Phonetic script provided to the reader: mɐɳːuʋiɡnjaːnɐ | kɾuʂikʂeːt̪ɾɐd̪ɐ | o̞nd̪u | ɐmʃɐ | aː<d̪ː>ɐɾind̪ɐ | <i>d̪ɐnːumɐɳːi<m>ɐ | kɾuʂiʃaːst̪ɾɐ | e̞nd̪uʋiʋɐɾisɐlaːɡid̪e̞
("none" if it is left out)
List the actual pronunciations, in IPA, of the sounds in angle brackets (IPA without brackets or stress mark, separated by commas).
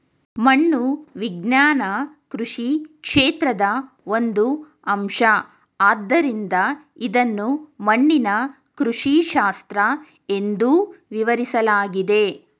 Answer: d̪ː, i, n